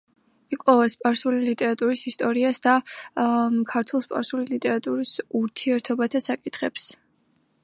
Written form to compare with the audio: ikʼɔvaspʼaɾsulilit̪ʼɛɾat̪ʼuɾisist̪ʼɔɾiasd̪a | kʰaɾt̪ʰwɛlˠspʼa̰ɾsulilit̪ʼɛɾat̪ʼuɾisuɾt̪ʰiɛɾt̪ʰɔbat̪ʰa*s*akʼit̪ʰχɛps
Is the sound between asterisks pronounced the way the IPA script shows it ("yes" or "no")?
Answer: yes